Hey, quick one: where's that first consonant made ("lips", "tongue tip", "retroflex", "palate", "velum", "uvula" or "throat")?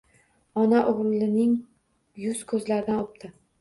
tongue tip